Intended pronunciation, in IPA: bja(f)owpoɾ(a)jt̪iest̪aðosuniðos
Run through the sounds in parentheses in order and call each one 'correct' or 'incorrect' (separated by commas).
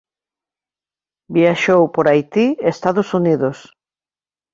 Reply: incorrect, correct